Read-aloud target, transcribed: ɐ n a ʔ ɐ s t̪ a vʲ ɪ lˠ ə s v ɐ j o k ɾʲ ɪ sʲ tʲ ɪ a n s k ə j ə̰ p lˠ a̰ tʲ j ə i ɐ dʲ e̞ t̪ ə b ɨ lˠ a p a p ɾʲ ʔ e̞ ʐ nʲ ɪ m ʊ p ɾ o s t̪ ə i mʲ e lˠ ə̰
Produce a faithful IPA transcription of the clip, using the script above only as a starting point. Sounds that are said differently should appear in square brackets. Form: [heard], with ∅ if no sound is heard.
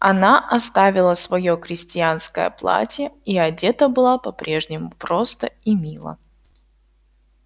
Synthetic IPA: ɐ n a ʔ ɐ s t̪ a vʲ ɪ lˠ ə s v ɐ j o k ɾʲ ɪ sʲ tʲ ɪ a n s k ə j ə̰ p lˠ a̰ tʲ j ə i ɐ dʲ e̞ t̪ ə b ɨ lˠ a p [ɐ] p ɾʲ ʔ e̞ ʐ nʲ ɪ m ʊ p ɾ o s t̪ ə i mʲ [i] lˠ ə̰

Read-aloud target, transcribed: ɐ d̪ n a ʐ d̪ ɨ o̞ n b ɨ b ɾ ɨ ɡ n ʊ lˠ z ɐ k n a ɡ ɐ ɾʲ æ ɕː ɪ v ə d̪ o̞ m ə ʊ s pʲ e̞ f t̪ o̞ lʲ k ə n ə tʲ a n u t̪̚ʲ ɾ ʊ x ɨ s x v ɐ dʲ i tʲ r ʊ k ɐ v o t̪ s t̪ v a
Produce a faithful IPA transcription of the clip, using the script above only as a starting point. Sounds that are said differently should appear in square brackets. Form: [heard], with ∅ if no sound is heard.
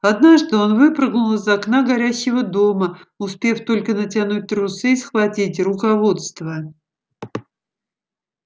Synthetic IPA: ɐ d̪ n a ʐ d̪ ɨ o̞ n [v] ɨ [p] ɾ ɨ ɡ n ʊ lˠ z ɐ k n a ɡ ɐ ɾʲ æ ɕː ɪ v ə d̪ o̞ m ə ʊ s pʲ e̞ f t̪ o̞ lʲ k ə n ə tʲ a n u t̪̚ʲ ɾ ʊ [s] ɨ s x v ɐ [tʲ] i tʲ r ʊ k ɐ v o t̪ s t̪ v [ə]

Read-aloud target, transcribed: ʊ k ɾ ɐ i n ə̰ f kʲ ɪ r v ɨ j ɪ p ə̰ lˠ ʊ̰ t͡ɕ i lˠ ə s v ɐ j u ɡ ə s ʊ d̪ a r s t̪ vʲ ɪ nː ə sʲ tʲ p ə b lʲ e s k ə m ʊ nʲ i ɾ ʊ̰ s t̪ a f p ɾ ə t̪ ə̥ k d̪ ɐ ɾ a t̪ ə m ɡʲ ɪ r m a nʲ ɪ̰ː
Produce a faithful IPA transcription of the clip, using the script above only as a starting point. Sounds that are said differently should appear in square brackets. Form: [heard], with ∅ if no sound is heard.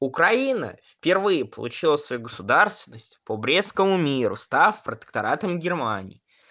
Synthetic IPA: ʊ k ɾ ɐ i n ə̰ f [pʲ] ɪ r v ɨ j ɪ p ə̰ lˠ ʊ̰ t͡ɕ i lˠ ə s v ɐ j u ɡ ə s ʊ d̪ a r s t̪ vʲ ɪ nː ə sʲ tʲ p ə b [ɾʲ] e s k ə m ʊ [mʲ] i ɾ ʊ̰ s t̪ a f p ɾ ə t̪ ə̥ k [t̪] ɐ ɾ a t̪ ə m ɡʲ ɪ r m a nʲ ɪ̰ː

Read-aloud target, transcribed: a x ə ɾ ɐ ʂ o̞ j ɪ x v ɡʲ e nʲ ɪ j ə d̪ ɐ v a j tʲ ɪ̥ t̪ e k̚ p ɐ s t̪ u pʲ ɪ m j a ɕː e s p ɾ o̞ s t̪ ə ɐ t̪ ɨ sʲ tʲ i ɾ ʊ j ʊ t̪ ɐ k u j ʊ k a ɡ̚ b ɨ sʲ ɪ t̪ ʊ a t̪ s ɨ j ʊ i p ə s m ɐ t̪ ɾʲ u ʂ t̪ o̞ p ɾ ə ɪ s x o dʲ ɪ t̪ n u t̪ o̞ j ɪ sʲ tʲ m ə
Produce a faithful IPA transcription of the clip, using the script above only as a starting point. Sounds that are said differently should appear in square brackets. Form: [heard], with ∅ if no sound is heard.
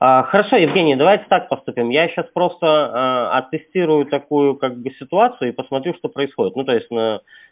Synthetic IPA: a x ə ɾ ɐ ʂ o̞ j ɪ [∅] v ɡʲ e nʲ ɪ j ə d̪ ɐ v a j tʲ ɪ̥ t̪ [a] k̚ p ɐ s t̪ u pʲ ɪ m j a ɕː [a] s p ɾ o̞ s t̪ ə ɐ t̪ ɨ sʲ tʲ i ɾ ʊ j ʊ t̪ ɐ k u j ʊ k a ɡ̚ b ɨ sʲ ɪ t̪ ʊ a t̪ s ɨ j ʊ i p ə s m ɐ t̪ ɾʲ u ʂ t̪ o̞ p ɾ ə ɪ s x o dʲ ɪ t̪ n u t̪ o̞ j ɪ sʲ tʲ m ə

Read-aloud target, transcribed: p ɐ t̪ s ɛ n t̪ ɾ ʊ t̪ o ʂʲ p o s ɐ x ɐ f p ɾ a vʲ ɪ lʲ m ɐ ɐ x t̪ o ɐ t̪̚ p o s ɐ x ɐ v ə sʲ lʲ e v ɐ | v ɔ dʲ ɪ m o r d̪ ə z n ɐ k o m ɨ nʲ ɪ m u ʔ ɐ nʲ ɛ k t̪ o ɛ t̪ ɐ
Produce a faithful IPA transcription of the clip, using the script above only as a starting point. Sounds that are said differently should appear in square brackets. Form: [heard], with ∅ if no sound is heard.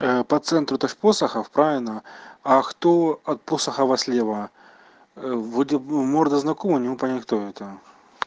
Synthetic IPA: p ɐ t̪ s ɛ n t̪ ɾ ʊ t̪ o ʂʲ p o s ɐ x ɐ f p ɾ a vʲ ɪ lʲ [n] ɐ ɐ x t̪ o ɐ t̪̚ p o s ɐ x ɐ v [ɐ] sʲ lʲ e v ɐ | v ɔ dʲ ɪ m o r d̪ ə z n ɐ k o m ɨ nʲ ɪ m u [p] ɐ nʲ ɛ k t̪ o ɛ t̪ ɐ

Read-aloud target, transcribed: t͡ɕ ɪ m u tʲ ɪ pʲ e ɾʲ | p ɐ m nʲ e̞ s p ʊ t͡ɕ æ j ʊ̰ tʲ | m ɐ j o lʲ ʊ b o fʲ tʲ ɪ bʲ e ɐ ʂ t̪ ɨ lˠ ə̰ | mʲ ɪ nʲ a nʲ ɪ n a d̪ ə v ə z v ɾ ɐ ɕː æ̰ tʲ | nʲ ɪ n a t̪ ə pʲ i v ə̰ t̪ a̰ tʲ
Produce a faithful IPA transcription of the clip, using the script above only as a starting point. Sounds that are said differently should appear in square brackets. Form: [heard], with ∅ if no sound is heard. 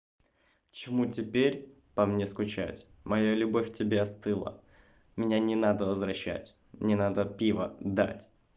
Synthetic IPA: t͡ɕ ɪ m u tʲ ɪ pʲ e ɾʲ | p ɐ m nʲ e̞ s [k] ʊ t͡ɕ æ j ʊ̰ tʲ | m ɐ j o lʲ ʊ b o fʲ tʲ ɪ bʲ e ɐ [s] t̪ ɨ lˠ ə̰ | mʲ ɪ nʲ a nʲ ɪ n a d̪ ə v ə z v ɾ ɐ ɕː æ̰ tʲ | nʲ ɪ n a [d̪] ə pʲ i v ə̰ [d̪] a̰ tʲ

